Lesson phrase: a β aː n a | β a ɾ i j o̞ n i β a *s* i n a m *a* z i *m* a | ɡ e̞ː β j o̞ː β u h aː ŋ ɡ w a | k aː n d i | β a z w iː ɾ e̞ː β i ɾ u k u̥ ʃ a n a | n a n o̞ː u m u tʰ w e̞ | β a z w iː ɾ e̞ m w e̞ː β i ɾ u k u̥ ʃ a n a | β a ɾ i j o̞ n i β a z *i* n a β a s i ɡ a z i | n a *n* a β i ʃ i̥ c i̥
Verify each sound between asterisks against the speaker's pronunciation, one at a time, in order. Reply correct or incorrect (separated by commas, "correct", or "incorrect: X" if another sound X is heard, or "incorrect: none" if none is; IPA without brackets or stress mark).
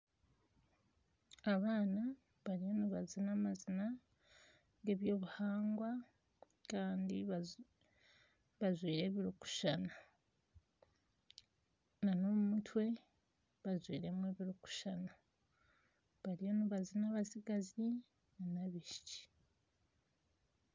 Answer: incorrect: z, correct, incorrect: n, correct, correct